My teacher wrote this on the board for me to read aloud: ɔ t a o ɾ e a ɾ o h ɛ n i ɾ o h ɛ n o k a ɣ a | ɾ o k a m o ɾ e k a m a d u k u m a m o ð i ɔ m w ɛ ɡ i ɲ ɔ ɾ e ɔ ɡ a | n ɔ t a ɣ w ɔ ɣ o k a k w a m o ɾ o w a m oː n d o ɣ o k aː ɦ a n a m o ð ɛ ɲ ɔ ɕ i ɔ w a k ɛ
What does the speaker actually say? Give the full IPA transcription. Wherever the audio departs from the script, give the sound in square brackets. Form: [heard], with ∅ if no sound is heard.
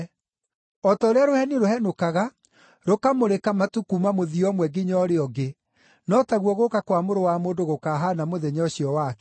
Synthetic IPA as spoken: ɔ t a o ɾ e a ɾ o h ɛ n i ɾ o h ɛ n o k a ɣ a | ɾ o k a m o ɾ e k a m a [t] u k u m a m o ð i ɔ m w ɛ ɡ i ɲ ɔ ɾ e ɔ ɡ [e] | n ɔ t a ɣ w ɔ ɣ o k a k w a m o ɾ o w a m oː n d o ɣ o k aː ɦ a n a m o ð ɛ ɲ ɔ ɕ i ɔ w a k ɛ